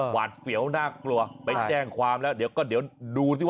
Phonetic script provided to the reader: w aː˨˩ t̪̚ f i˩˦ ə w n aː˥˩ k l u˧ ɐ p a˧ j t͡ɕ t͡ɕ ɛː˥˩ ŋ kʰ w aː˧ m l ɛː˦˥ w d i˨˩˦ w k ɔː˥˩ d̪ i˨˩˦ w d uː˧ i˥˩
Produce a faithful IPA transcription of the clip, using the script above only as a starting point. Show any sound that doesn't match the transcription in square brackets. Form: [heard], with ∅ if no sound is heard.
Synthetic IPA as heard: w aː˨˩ t̪̚ f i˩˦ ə w n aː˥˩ k l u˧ ɐ p a˧ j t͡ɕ t͡ɕ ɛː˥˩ ŋ kʰ w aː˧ m l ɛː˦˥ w d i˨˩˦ w k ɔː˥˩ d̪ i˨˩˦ w d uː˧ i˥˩